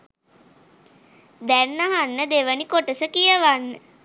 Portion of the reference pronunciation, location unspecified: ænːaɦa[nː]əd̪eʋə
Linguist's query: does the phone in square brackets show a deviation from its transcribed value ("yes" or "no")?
no